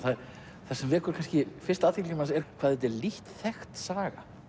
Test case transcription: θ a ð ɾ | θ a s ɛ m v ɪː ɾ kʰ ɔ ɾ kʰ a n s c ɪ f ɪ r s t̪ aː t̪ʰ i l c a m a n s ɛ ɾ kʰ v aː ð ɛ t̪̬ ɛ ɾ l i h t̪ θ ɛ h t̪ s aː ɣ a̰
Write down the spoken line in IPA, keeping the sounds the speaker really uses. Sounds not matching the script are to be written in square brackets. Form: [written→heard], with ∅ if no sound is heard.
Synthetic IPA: θ a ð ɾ | θ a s ɛ m v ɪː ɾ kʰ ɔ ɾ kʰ a n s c ɪ f ɪ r s t̪ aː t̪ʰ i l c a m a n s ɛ ɾ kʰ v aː ð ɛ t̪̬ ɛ ɾ l i h t̪ θ ɛ [h→x] t̪ s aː ɣ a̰